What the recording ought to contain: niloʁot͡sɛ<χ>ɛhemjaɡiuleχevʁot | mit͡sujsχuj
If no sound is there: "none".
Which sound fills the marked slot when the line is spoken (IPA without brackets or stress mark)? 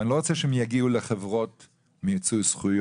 ʃ